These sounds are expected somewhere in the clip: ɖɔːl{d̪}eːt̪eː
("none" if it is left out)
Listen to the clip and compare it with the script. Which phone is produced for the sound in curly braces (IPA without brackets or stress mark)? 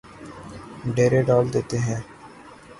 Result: d̪